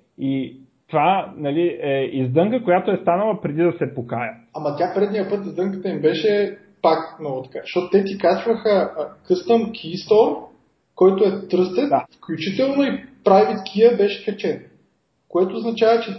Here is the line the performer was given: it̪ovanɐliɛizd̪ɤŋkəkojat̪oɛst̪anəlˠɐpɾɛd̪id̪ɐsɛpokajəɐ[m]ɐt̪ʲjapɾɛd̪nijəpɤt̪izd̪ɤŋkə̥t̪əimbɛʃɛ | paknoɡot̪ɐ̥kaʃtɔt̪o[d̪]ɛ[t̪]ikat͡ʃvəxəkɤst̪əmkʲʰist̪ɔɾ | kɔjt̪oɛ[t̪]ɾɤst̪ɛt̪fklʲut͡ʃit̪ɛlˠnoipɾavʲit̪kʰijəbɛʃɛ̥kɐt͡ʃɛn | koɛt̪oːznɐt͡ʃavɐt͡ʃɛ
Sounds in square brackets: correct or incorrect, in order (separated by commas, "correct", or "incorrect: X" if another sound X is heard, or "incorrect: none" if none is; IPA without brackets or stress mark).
correct, incorrect: t̪, correct, correct